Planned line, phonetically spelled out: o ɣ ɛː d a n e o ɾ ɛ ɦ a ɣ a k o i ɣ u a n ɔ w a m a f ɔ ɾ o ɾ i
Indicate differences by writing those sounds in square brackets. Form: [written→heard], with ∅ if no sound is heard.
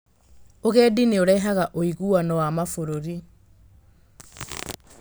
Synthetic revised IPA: o ɣ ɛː d [a→i] n e o ɾ ɛ ɦ a ɣ a [k→ʔ] o i ɣ u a n ɔ w a m a f [ɔ→o] ɾ o ɾ i